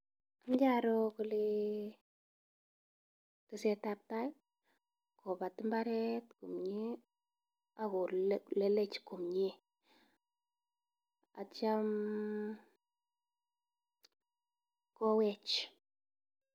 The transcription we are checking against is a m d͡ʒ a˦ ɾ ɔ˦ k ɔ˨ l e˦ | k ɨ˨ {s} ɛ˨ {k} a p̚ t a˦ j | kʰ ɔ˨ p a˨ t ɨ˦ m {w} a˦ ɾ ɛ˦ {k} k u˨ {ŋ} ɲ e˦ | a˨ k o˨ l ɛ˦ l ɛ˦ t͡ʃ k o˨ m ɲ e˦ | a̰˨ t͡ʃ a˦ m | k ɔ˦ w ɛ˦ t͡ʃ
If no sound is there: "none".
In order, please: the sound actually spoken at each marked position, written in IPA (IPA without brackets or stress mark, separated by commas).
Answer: s, t, b, t, m